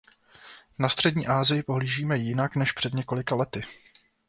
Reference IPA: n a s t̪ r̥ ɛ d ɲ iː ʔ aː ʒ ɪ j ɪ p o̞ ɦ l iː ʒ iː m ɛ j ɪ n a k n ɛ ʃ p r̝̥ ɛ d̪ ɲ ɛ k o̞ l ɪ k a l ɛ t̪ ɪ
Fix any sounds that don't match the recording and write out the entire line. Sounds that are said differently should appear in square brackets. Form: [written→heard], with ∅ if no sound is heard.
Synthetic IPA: n a s t̪ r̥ ɛ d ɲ iː ʔ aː [ʒ→z] ɪ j ɪ p o̞ ɦ l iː ʒ iː m ɛ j ɪ n a k n ɛ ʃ p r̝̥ ɛ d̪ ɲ ɛ k o̞ l ɪ k a l ɛ t̪ ɪ